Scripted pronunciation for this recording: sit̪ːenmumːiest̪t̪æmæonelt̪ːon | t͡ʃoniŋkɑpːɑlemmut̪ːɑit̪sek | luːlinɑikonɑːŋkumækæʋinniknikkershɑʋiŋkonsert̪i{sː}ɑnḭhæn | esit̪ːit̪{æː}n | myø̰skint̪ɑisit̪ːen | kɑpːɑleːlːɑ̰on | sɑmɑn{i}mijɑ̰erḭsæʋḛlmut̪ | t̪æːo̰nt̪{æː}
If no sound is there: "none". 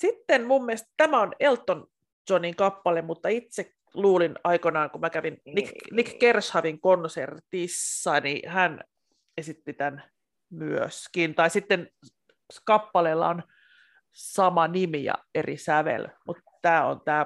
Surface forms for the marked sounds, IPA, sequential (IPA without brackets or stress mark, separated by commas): sː, æ, i, æː